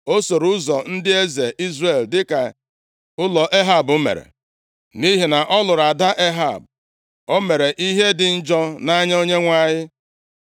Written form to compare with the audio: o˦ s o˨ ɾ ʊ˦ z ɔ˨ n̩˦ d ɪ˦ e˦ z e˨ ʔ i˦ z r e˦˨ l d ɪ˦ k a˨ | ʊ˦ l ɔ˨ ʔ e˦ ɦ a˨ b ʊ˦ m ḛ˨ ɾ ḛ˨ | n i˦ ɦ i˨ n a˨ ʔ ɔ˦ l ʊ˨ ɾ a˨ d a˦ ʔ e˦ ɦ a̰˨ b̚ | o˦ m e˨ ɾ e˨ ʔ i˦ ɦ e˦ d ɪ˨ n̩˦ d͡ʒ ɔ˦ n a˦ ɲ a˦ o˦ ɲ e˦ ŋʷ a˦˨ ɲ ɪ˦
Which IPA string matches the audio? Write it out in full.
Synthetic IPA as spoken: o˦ s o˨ ɾ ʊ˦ z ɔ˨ n̩˦ d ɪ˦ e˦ z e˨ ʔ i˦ z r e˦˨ l d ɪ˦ k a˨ | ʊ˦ l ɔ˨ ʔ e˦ ɦ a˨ b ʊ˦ m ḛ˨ ɾ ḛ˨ | n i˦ ɦ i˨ n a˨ ʔ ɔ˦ l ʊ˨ ɾ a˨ d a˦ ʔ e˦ ɦ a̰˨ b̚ | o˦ m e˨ ɾ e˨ ʔ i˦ ɦ e˦ d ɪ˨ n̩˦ d͡ʒ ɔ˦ n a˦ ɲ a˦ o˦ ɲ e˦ ŋʷ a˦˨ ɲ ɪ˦